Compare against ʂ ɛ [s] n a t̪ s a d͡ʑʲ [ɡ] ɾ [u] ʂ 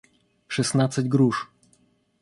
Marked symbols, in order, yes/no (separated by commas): yes, yes, yes